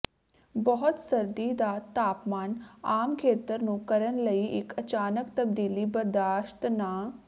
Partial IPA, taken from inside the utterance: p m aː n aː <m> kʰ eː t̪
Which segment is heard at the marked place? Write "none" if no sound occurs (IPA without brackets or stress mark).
m